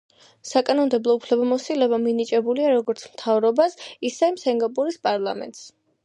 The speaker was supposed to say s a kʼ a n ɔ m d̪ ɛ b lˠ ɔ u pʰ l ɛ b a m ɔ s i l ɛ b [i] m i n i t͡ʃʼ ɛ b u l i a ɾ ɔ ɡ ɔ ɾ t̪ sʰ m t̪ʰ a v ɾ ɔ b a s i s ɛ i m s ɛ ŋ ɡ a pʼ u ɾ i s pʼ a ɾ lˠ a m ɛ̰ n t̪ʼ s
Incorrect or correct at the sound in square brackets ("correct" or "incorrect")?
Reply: incorrect